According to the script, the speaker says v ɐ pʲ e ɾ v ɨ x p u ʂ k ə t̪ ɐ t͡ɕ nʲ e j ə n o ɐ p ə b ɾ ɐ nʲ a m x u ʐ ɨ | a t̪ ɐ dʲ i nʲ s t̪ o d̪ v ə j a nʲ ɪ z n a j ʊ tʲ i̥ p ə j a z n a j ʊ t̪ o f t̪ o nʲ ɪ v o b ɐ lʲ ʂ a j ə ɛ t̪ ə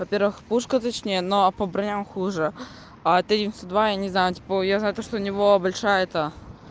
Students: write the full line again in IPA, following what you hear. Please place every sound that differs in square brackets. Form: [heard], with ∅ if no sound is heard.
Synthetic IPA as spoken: v ɐ pʲ e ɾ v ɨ x p u ʂ k ə t̪ ɐ t͡ɕ nʲ e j ə n o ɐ p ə b ɾ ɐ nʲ a m x u ʐ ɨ | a t̪ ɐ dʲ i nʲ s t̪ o d̪ v [a] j a nʲ ɪ z n a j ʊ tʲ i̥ p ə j a z n a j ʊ t̪ o [ʂ] t̪ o nʲ ɪ v o b ɐ lʲ ʂ a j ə ɛ t̪ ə